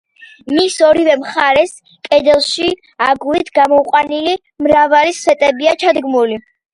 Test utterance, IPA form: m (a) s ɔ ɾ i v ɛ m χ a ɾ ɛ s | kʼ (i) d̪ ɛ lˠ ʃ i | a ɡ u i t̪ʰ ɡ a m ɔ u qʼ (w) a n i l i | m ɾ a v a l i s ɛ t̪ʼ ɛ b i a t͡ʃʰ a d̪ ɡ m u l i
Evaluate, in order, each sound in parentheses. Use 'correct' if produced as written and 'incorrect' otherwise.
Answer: incorrect: i, incorrect: ɛ, correct

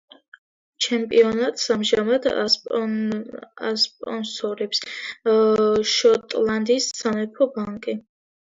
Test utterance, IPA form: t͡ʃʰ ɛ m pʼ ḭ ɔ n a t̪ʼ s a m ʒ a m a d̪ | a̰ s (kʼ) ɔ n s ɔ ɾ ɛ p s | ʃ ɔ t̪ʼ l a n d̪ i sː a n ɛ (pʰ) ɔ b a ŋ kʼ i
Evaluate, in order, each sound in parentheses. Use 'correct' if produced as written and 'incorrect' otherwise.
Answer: incorrect: pʼ, correct

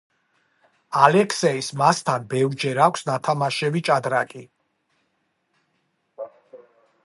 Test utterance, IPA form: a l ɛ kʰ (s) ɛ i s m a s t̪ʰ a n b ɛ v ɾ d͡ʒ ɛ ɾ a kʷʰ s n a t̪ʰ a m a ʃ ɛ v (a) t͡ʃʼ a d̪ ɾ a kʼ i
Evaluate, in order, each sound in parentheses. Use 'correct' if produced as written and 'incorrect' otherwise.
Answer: correct, incorrect: i

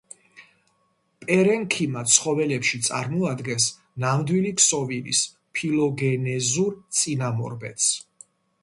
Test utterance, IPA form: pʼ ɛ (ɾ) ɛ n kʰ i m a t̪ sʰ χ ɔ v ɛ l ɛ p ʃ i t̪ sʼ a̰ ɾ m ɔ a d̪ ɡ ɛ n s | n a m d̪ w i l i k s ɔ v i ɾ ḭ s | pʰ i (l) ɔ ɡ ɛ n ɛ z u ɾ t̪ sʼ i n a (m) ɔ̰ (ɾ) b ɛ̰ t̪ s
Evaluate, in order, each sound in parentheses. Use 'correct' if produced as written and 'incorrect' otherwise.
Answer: correct, correct, correct, correct

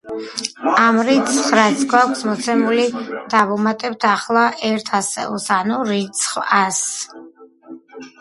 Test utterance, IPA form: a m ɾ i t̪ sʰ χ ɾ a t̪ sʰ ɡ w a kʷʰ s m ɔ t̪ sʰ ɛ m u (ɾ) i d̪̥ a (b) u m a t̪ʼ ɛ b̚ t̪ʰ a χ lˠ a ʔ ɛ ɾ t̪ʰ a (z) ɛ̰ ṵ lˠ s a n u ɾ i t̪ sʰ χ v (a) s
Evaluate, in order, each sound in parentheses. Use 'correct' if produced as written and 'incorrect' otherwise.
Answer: incorrect: l, incorrect: v, incorrect: s, correct

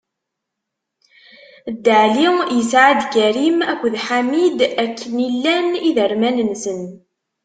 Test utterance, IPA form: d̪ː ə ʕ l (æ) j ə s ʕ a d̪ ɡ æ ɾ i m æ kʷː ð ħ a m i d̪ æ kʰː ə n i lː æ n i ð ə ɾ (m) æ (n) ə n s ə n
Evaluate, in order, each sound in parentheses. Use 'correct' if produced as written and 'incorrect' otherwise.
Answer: incorrect: i, correct, correct

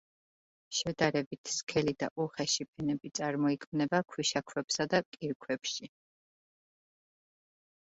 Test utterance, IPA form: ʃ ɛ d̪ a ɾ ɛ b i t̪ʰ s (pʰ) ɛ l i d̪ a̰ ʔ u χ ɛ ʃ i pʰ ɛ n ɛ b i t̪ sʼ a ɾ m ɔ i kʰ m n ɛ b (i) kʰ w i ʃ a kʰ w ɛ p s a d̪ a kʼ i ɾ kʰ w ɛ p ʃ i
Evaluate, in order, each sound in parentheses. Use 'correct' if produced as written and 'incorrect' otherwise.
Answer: incorrect: kʰ, incorrect: a

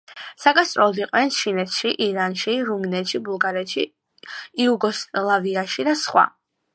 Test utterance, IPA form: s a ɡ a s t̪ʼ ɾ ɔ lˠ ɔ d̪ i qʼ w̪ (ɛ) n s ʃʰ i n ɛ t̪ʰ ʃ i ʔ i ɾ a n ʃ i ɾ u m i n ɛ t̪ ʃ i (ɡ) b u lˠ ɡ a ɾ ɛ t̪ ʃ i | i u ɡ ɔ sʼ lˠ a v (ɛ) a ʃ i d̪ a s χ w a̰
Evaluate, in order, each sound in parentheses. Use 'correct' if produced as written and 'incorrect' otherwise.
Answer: correct, incorrect: none, incorrect: i

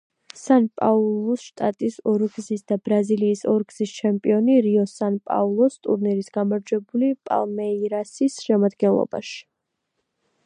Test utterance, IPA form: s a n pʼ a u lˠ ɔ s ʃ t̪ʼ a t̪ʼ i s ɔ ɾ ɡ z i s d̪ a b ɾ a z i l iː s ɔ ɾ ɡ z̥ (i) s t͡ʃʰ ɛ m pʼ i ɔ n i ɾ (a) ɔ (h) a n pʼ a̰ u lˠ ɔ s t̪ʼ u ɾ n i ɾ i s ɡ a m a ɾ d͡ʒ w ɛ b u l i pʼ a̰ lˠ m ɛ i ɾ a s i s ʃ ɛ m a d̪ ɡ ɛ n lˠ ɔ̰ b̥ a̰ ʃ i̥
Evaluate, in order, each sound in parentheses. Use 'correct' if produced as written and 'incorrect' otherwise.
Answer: correct, incorrect: i, incorrect: s

